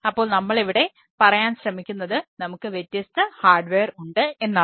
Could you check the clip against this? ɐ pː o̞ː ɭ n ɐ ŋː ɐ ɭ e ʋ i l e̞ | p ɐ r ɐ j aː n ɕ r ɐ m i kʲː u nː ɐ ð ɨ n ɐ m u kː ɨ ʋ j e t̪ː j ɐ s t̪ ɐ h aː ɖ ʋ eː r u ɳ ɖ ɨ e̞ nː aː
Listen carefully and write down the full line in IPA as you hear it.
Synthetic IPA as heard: ɐ pː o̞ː ɭ n ɐ mː ɐ ɭ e ʋ i ɽ e̞ | p ɐ r ɐ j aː n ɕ r ɐ m i kʲː u nː ɐ ð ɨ n ɐ m u kː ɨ ʋ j e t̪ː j ɐ s t̪ ɐ h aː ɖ ʋ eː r u ɳ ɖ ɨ e̞ nː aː

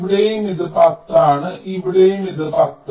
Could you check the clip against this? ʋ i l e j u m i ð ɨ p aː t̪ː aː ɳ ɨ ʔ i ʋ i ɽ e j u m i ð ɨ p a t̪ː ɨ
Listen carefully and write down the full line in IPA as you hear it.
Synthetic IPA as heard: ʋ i ɽ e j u m i ð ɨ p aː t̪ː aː ɳ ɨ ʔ i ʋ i ɽ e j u m i ð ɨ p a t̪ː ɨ

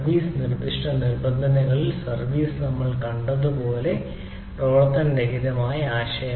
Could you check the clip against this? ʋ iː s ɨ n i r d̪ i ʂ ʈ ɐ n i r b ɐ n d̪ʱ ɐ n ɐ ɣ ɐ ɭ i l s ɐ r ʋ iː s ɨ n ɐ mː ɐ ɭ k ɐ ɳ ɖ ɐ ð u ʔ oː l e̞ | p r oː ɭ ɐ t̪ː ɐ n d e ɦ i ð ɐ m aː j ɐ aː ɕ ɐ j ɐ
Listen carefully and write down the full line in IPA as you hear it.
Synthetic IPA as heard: ʋ iː s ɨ n i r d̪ i ʂ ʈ ɐ n i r b ɐ n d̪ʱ ɐ n ɐ ɣ ɐ ɭ i l s ɐ r ʋ iː s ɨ n ɐ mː ɐ ɭ k ɐ ɳ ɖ ɐ ð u p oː l e̞ | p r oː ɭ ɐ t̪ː ɐ n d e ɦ i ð ɐ m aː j ɐ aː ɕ ɐ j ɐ

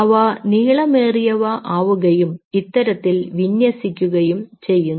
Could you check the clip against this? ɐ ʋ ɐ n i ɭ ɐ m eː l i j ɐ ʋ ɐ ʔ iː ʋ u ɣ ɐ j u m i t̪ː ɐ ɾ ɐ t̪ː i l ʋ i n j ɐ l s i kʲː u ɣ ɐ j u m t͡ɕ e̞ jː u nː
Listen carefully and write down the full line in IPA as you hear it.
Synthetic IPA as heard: ɐ ʋ ɐ n iː ɭ ɐ m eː r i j ɐ ʋ ɐ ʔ aː ʋ u ɣ ɐ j u m i t̪ː ɐ ɾ ɐ t̪ː i l ʋ i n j ɐ s i kʲː u ɣ ɐ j u m t͡ɕ e̞ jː u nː

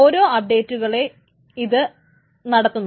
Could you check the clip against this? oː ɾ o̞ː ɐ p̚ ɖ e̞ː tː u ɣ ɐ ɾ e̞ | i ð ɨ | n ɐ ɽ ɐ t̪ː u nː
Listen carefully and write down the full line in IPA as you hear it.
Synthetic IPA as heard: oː ɾ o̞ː ɐ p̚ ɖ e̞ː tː u ɣ ɐ ɭ e̞ | i ð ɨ | n ɐ ɽ ɐ t̪ː u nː

